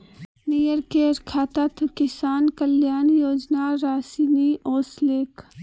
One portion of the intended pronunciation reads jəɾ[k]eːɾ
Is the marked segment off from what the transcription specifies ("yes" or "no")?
no